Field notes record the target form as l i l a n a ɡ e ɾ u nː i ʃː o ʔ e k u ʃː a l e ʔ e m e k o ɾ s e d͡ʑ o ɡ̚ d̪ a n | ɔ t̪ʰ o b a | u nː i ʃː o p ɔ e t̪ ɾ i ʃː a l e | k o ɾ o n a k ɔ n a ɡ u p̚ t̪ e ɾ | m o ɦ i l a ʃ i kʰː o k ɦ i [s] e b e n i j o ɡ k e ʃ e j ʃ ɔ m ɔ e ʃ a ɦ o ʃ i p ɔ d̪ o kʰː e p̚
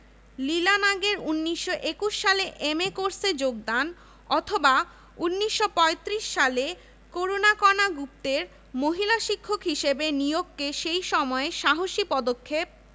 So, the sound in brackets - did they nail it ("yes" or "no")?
no